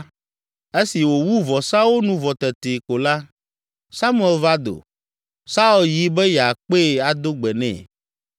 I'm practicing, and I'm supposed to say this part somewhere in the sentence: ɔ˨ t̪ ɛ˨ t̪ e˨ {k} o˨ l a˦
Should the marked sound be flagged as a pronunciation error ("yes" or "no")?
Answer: no